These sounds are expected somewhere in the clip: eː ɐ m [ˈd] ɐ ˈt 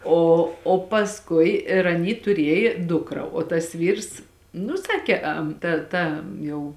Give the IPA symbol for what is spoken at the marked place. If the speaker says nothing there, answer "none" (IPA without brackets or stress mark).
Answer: t